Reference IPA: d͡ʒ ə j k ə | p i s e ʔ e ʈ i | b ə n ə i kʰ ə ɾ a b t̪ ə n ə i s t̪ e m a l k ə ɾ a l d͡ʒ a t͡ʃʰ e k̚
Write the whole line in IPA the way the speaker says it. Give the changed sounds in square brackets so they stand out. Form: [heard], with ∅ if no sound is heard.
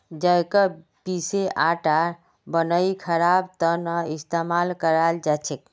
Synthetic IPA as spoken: d͡ʒ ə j k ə | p i s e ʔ [a] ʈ [a] | b ə n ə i kʰ ə ɾ a b t̪ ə n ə i s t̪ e m a l k ə ɾ a l d͡ʒ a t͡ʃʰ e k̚